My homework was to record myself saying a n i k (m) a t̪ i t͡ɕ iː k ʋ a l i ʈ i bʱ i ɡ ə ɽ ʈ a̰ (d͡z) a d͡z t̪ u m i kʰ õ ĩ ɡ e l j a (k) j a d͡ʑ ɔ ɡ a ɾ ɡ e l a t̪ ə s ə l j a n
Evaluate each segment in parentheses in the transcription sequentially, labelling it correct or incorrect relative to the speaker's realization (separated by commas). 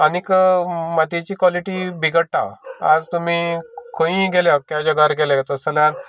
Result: correct, incorrect, correct